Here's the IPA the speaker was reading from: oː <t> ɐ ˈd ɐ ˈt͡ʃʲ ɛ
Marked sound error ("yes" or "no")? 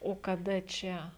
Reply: yes